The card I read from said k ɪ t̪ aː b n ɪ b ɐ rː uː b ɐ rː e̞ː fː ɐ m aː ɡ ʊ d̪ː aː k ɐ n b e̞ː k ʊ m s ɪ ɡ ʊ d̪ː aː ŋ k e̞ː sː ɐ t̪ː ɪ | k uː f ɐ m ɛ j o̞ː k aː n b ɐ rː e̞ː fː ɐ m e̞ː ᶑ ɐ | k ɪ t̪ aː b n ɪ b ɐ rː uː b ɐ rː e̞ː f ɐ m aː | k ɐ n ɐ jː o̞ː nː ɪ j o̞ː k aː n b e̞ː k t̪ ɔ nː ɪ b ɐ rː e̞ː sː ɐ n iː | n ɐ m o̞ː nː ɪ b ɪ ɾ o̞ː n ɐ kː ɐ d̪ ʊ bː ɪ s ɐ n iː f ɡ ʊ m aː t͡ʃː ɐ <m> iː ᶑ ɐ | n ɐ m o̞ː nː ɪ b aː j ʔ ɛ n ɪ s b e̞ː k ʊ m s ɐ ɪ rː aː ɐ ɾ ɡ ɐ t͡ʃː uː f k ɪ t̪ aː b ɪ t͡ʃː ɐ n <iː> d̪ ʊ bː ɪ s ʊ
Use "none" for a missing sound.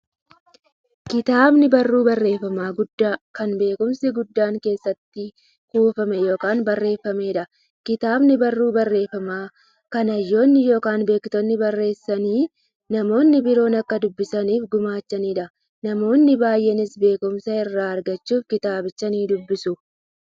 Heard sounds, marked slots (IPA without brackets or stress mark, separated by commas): n, iː